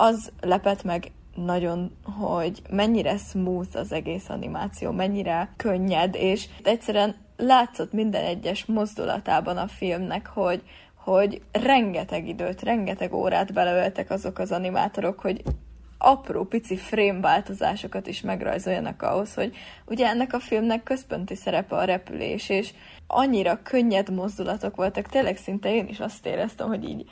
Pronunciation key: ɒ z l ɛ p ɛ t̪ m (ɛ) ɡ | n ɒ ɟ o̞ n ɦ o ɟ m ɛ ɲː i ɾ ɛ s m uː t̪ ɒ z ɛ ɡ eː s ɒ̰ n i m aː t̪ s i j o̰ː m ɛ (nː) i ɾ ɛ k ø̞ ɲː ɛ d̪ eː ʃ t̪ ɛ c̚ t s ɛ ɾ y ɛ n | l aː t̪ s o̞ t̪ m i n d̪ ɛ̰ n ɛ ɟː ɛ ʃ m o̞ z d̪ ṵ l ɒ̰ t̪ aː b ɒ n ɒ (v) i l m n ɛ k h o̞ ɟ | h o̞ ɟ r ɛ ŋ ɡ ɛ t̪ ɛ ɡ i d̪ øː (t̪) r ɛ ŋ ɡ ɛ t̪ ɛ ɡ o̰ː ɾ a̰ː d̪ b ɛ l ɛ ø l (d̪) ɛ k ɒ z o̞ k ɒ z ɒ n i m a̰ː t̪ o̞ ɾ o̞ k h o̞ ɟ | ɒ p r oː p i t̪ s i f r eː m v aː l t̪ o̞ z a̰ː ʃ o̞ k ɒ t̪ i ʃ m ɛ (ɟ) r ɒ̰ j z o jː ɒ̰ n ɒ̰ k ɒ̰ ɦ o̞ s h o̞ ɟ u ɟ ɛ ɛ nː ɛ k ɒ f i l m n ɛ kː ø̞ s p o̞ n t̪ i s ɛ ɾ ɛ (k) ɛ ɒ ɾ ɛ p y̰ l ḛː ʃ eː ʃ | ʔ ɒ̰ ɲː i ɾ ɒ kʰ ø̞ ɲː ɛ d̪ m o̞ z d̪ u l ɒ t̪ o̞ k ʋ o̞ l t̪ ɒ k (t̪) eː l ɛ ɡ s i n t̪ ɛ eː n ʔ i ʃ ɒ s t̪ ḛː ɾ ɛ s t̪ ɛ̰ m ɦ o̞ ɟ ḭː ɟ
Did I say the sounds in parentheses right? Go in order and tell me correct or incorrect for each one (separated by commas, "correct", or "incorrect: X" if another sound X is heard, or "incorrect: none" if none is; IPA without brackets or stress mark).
correct, incorrect: ɲː, incorrect: f, correct, incorrect: t̪, incorrect: ɡ, incorrect: p, correct